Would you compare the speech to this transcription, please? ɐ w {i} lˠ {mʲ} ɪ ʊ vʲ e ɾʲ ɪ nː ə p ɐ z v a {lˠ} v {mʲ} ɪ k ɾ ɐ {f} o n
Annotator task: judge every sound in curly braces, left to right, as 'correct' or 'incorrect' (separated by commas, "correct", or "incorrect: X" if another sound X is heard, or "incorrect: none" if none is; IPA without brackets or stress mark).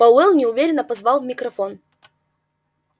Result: incorrect: ɛ, incorrect: nʲ, correct, correct, correct